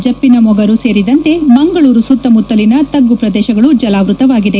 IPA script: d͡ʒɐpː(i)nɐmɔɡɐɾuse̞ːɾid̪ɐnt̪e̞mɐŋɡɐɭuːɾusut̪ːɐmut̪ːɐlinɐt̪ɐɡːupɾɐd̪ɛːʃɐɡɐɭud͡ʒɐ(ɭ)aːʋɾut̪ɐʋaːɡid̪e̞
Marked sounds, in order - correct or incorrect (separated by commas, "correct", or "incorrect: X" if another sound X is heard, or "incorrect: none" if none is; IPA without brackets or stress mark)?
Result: correct, incorrect: l